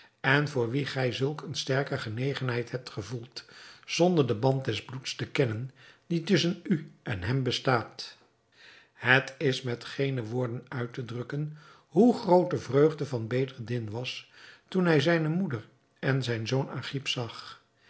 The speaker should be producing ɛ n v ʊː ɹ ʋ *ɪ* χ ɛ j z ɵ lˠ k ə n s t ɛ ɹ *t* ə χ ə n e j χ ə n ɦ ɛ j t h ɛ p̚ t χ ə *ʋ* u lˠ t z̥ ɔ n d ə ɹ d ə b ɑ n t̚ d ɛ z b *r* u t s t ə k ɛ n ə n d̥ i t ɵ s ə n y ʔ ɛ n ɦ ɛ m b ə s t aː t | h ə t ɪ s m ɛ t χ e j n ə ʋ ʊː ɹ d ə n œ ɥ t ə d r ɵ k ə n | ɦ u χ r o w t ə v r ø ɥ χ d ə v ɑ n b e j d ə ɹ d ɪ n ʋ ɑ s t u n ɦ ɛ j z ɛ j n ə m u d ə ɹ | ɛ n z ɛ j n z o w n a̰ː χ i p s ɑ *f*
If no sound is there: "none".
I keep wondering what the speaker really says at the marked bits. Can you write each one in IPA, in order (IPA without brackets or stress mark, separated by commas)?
i, k, v, l, χ